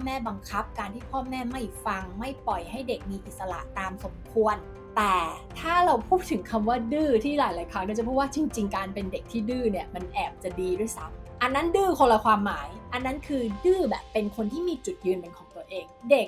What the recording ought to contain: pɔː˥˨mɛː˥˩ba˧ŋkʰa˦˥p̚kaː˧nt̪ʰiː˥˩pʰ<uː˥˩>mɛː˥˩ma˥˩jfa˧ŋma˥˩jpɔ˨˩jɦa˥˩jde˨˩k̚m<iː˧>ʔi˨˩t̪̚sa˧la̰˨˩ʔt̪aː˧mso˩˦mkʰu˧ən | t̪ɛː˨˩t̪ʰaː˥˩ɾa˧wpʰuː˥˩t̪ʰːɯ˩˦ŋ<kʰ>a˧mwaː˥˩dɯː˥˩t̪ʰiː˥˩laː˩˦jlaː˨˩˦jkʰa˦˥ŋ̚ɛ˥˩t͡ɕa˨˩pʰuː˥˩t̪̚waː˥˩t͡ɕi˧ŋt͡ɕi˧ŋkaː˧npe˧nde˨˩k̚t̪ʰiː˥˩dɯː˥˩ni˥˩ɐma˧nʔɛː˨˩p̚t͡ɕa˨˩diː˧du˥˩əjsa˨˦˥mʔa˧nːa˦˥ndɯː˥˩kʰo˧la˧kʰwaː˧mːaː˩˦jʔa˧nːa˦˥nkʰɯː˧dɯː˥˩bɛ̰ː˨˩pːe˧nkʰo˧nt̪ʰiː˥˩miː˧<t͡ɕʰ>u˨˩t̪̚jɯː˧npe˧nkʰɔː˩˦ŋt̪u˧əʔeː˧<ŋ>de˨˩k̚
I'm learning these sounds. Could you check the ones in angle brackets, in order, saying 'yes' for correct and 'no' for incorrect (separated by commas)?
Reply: no, yes, yes, no, yes